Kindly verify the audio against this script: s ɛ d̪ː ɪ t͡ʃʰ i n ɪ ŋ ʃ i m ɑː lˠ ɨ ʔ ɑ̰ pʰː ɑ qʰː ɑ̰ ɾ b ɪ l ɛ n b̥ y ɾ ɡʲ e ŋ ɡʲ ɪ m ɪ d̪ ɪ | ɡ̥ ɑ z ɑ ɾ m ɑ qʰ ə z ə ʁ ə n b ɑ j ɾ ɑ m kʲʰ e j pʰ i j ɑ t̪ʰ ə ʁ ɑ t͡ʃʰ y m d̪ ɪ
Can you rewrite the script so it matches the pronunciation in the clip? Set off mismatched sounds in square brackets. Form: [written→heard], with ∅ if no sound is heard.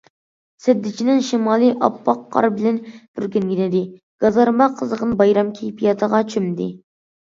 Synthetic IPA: s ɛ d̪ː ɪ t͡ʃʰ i n ɪ ŋ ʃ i m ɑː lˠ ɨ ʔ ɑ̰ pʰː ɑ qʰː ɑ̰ ɾ b ɪ l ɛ n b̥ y ɾ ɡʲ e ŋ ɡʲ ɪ [m→n] ɪ d̪ ɪ | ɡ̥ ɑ z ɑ ɾ m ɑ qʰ ə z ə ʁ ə n b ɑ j ɾ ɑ m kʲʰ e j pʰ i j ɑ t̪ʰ ə ʁ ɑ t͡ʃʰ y m d̪ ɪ